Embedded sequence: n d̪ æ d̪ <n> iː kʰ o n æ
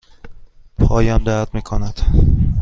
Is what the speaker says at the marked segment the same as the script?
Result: no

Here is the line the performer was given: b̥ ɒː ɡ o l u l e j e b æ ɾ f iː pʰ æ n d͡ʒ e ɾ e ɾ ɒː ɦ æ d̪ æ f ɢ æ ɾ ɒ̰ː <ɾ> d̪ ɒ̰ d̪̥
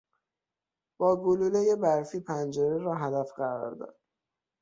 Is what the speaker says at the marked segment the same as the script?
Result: yes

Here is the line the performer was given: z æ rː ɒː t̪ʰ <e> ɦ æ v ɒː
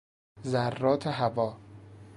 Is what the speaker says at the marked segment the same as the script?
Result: yes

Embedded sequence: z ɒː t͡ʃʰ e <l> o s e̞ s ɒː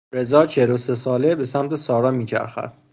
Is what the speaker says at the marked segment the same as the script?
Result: yes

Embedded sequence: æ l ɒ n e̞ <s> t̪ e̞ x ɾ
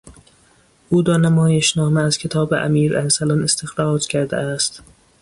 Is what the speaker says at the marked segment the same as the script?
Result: yes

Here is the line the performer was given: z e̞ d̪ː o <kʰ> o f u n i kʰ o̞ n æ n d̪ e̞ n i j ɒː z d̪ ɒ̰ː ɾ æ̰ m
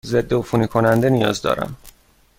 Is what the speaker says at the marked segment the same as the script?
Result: no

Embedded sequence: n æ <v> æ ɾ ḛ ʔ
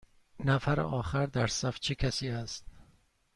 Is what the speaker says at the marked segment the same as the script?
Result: no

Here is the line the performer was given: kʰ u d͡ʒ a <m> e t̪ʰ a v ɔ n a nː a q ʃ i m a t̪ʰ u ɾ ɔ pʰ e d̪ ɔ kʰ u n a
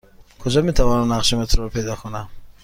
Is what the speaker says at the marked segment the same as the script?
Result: yes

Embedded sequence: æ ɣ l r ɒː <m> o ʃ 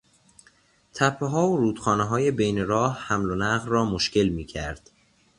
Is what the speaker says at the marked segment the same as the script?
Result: yes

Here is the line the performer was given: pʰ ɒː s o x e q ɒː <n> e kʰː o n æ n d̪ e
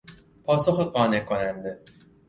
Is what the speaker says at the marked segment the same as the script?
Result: yes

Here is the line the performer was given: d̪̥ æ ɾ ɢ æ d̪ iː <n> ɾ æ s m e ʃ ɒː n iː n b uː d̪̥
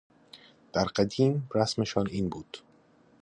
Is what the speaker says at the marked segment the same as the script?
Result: no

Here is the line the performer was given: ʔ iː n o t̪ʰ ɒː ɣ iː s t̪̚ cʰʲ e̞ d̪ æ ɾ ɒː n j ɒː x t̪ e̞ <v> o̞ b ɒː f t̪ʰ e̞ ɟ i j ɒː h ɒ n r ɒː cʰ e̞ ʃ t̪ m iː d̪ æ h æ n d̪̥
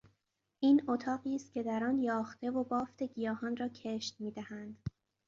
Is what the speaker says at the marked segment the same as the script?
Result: yes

